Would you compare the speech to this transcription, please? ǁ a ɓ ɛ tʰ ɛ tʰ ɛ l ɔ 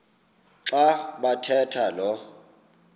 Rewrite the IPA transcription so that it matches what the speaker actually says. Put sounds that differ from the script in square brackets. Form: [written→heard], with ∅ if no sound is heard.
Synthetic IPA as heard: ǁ a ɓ [ɛ→a] tʰ ɛ tʰ [ɛ→a] l ɔ